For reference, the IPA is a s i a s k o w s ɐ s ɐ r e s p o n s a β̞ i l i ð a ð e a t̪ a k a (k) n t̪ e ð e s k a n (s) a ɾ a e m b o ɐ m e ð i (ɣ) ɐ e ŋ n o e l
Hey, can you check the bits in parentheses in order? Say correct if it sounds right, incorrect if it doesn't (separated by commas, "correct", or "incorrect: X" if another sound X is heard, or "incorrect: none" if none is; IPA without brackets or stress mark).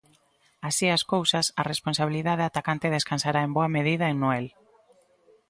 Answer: incorrect: none, correct, incorrect: ð